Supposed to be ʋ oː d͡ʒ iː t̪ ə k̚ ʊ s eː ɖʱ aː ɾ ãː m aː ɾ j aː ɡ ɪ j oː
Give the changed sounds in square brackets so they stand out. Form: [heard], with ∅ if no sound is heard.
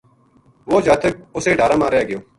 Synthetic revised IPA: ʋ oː d͡ʒ [aː] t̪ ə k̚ ʊ s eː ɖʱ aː ɾ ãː m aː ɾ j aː ɡ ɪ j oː